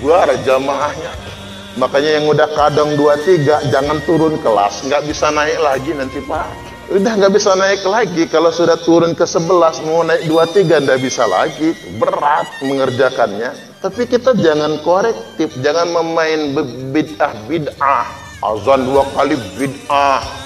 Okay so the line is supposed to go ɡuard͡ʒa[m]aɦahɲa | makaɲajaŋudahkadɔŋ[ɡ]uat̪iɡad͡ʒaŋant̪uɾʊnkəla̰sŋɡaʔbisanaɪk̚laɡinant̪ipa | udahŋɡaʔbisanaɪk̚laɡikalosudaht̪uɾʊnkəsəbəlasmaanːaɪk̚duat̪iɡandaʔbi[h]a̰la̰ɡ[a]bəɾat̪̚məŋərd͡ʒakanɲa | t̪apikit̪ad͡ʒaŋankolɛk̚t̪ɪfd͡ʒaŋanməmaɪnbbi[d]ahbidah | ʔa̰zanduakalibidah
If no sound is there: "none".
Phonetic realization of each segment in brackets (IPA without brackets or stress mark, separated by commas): m, d, s, i, d